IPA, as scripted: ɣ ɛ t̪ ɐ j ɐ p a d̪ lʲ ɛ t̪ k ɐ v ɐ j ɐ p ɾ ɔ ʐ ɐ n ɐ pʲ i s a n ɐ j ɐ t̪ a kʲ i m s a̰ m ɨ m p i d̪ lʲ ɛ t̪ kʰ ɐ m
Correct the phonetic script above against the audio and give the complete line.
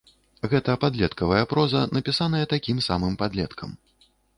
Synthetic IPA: ɣ ɛ t̪ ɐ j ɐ p a d̪ lʲ ɛ t̪ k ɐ v ɐ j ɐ p ɾ ɔ z ɐ n ɐ pʲ i s a n ɐ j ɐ t̪ a kʲ i m s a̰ m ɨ m p a d̪ lʲ ɛ t̪ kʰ ɐ m